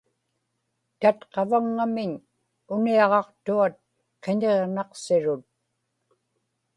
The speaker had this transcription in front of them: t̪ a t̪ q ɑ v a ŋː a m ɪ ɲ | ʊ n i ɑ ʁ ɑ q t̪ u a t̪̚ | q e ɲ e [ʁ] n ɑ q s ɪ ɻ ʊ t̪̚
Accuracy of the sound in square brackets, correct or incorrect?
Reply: correct